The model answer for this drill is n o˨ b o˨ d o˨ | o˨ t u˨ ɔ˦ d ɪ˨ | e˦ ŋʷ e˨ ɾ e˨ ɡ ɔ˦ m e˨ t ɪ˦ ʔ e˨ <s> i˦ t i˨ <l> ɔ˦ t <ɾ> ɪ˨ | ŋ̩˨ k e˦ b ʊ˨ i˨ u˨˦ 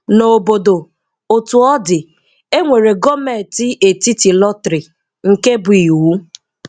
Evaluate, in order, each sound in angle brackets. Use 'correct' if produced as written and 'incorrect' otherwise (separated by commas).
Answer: incorrect, correct, correct